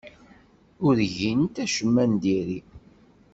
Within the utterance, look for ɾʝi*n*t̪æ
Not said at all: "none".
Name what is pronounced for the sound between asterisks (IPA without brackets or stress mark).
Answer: n